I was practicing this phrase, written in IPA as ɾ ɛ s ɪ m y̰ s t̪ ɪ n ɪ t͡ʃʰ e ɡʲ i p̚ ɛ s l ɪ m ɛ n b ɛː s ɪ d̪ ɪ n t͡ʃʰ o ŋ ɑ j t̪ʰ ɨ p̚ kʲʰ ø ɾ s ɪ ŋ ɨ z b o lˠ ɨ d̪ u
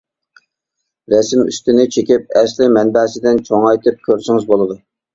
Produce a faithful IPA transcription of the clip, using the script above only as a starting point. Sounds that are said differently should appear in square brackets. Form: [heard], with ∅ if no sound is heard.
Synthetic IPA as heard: ɾ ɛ s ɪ m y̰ s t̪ ɪ n ɪ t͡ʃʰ e [kʲ] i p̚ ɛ s l ɪ m ɛ n b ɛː s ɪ d̪ ɪ n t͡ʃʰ o ŋ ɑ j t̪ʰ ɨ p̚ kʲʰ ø ɾ s ɪ ŋ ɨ z b o lˠ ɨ d̪ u